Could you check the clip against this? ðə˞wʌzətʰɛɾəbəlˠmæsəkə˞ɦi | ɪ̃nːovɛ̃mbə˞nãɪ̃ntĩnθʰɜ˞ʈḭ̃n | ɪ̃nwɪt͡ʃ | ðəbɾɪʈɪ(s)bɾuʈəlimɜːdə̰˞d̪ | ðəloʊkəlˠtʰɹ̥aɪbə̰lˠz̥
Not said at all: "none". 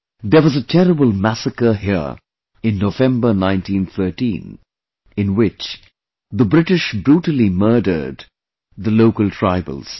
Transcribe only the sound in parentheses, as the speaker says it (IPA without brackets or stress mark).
ʃ